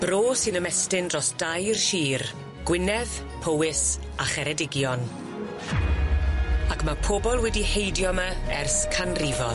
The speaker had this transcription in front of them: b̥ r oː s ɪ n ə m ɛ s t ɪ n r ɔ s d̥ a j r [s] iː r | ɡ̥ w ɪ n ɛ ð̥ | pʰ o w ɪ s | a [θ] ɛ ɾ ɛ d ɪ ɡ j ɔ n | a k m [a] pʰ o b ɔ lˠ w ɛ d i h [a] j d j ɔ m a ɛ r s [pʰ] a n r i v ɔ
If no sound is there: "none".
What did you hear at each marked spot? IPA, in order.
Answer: ʃ, χ, a, e, kʰ

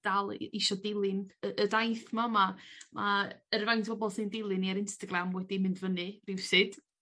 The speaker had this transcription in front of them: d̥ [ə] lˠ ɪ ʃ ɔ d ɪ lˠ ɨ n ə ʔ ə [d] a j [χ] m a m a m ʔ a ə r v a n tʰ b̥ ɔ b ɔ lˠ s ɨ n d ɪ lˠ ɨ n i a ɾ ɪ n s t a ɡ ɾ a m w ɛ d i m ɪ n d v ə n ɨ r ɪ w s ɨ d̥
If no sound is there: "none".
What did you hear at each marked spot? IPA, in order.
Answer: a, d, θ

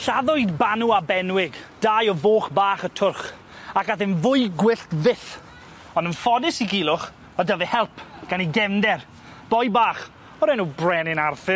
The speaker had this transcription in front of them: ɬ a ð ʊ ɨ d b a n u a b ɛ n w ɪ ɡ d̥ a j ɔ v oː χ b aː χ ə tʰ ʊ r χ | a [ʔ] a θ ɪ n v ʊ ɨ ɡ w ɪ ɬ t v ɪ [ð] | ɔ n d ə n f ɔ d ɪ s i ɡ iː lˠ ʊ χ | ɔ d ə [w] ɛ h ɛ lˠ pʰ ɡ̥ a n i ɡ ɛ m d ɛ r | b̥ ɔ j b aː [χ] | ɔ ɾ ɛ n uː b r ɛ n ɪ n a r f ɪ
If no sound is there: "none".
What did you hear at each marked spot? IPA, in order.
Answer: k, θ, v, χ

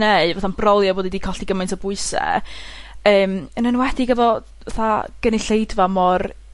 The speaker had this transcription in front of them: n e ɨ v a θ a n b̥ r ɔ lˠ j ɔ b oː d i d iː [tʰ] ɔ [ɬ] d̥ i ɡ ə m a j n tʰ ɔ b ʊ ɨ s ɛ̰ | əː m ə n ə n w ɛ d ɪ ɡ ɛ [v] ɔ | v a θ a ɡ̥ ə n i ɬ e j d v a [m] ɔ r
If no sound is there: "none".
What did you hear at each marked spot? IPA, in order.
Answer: kʰ, ɬ, v, m

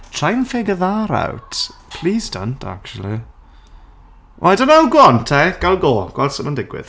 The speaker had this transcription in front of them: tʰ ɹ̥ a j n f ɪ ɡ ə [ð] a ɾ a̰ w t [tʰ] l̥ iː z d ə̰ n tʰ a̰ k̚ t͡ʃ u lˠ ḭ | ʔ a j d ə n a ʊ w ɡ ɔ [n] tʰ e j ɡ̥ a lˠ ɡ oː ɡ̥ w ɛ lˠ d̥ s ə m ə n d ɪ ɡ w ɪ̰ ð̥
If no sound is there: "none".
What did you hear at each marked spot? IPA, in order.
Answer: ð, pʰ, n

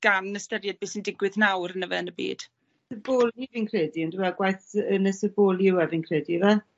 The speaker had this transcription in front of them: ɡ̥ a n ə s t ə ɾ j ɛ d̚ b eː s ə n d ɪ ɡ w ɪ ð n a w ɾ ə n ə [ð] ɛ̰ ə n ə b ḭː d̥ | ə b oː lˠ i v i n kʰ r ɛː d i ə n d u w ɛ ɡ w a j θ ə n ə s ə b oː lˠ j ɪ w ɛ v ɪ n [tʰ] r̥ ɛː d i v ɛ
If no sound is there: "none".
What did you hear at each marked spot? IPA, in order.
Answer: v, kʰ

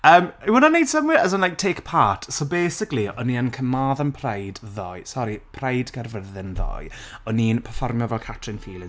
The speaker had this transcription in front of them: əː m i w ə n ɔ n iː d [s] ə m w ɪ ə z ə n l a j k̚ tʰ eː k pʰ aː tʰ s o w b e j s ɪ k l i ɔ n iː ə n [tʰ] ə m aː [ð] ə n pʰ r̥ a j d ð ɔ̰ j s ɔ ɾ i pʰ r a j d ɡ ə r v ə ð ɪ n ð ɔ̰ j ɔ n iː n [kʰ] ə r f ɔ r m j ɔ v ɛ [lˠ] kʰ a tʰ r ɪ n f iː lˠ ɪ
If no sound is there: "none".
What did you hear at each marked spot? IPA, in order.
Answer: s, kʰ, ð, pʰ, lˠ

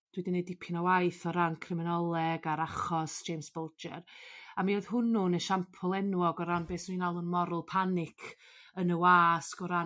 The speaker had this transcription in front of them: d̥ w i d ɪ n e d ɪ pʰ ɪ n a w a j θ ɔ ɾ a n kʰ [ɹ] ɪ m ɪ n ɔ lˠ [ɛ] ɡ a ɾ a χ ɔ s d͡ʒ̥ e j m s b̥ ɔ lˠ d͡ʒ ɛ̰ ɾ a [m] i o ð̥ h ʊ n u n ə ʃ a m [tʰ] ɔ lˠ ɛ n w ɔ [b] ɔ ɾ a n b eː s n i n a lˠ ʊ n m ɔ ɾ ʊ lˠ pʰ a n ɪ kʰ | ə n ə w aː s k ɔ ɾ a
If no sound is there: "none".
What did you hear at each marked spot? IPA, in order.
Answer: r, ɛ, m, pʰ, ɡ

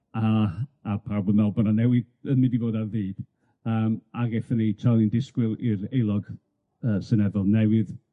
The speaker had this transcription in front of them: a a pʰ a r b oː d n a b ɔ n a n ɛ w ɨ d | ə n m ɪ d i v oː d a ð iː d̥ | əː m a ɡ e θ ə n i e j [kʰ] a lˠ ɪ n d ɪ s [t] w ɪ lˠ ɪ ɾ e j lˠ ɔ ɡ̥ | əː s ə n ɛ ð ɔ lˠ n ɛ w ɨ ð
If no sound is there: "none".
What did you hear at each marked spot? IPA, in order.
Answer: tʰ, k

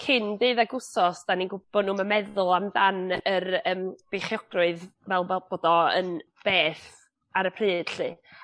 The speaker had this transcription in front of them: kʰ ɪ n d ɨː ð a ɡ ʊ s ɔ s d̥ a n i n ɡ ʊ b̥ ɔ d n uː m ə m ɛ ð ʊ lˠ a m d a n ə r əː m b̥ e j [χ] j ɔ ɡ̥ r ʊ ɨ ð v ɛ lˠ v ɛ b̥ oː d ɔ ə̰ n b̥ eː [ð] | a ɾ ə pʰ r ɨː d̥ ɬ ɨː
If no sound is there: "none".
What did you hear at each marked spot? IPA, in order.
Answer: χ, θ

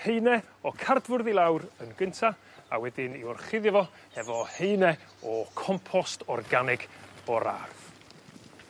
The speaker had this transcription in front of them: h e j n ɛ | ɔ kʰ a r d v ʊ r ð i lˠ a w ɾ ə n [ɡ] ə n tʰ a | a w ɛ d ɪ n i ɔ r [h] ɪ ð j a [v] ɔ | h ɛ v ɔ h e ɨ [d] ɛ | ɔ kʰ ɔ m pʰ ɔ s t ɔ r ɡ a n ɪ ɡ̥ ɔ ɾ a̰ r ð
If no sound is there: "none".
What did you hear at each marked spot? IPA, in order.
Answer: ɡ, χ, v, n

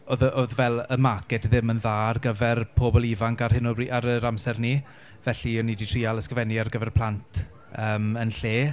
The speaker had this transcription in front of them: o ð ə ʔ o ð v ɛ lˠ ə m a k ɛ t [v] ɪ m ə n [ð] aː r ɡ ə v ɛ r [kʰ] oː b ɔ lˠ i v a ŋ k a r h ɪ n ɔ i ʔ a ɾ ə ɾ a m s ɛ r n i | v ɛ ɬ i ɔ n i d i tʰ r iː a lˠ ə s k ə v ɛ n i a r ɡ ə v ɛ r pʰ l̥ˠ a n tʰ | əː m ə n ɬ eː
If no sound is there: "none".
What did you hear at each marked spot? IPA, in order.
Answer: ð, ð, pʰ

